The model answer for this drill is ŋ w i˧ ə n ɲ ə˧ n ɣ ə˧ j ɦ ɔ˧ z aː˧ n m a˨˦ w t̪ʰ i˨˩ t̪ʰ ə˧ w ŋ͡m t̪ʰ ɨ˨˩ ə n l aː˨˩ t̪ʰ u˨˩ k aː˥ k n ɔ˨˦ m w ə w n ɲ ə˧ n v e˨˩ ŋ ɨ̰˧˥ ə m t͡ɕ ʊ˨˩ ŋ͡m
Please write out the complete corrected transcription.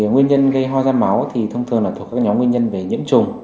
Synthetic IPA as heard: ŋ w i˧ ə n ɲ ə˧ n ɣ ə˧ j ɦ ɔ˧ z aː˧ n m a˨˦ w t̪ʰ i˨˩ t̪ʰ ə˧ w ŋ͡m t̪ʰ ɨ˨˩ ə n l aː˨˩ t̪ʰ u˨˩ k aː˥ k ɲ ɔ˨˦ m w ə n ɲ ə˧ n v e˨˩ ɲ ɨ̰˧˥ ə m t͡ɕ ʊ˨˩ ŋ͡m